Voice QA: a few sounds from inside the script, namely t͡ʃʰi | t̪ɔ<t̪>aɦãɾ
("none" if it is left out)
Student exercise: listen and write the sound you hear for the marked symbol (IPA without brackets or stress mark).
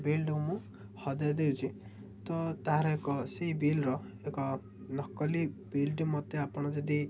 t̪